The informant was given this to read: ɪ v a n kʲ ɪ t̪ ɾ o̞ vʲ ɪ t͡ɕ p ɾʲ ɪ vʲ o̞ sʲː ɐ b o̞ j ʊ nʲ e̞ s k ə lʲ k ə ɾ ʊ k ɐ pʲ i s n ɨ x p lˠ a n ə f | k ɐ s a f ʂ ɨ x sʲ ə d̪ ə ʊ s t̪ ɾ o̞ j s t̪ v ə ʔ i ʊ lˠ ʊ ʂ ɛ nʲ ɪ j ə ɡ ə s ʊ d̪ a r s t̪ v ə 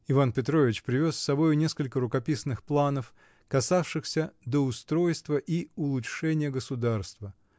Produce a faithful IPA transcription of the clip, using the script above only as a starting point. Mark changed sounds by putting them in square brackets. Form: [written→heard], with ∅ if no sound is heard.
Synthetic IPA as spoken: ɪ v a n [kʲ→pʲ] ɪ t̪ ɾ o̞ vʲ ɪ t͡ɕ p ɾʲ ɪ vʲ o̞ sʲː ɐ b o̞ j ʊ nʲ e̞ s k ə lʲ k ə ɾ ʊ k ɐ pʲ i s n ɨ x p lˠ a n ə f | k ɐ s a f ʂ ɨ x sʲ ə d̪ ə ʊ s t̪ ɾ o̞ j s t̪ v ə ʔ i ʊ lˠ ʊ ʂ ɛ nʲ ɪ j ə ɡ ə s ʊ d̪ a r s t̪ v ə